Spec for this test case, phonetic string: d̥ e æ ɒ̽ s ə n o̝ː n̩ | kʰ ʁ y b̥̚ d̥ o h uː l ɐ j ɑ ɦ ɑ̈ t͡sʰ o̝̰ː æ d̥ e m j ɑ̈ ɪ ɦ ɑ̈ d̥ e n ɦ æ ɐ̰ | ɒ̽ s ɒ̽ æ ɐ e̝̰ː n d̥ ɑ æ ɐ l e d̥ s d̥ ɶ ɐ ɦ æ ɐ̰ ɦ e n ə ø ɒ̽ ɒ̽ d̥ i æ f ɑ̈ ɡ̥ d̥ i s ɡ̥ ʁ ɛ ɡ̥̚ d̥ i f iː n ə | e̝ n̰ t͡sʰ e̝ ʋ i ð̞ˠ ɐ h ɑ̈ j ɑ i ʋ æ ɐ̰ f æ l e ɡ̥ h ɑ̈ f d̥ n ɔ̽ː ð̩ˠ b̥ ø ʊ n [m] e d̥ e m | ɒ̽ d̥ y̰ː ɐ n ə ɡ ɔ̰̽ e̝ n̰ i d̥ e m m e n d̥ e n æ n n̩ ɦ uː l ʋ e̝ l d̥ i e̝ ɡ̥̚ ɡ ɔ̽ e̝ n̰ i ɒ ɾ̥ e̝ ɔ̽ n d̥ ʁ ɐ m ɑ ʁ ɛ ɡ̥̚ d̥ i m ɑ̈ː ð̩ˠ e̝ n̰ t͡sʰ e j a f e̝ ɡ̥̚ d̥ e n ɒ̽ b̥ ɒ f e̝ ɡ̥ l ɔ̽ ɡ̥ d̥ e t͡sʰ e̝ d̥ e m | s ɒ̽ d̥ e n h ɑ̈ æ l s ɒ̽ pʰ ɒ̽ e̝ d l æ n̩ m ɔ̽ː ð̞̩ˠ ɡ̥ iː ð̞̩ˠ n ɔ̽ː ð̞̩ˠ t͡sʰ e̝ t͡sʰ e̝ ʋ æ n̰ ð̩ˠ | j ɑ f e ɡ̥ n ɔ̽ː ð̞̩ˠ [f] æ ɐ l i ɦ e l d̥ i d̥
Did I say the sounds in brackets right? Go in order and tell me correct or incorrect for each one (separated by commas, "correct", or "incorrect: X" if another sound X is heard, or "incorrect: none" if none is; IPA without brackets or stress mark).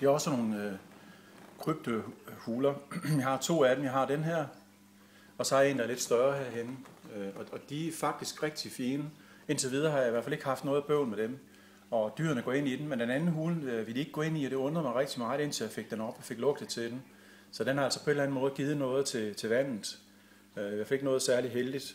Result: correct, incorrect: s